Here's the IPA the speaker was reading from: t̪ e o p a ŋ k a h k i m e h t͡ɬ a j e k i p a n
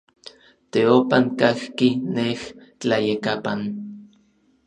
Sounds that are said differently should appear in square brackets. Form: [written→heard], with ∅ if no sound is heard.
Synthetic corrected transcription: t̪ e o p a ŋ k a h k i [m→n] e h t͡ɬ a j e k [i→a] p a n

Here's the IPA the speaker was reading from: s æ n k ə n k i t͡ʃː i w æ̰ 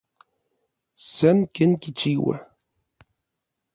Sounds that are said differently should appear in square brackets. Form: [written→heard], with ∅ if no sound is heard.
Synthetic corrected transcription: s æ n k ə n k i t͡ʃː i w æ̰

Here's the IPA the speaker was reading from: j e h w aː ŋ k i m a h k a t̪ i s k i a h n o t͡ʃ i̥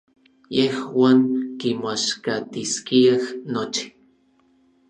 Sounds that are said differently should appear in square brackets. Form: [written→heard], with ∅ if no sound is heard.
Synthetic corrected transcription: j e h w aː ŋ k i m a [h→ʃ] k a t̪ i s k i a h n o t͡ʃ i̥

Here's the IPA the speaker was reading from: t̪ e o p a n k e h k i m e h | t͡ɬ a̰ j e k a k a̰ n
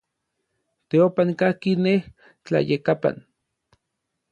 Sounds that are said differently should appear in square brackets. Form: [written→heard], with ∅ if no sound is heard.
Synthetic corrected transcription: t̪ e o p a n k [e→a] h k i [m→n] e h | t͡ɬ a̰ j e k a [k→p] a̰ n

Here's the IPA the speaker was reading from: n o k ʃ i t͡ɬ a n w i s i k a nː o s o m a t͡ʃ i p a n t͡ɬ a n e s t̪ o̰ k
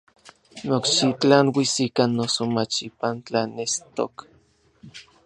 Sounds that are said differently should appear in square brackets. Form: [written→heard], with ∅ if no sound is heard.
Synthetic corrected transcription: n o k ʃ i t͡ɬ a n w i s i k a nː o s o m a t͡ʃ i p a n t͡ɬ a n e s t̪ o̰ k

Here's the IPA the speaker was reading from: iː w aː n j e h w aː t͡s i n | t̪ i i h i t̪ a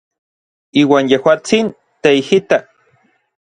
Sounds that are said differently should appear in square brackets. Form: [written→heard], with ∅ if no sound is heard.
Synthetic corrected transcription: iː w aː n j e h w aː t͡s i n | t̪ [i→e] i h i t̪ a

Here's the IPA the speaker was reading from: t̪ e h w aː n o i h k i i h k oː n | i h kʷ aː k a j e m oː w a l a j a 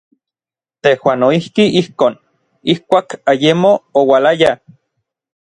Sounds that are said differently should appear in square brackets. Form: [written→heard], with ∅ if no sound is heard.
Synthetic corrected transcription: t̪ e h w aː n o i h k i i h k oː n | i h kʷ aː k a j e m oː w a l a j a

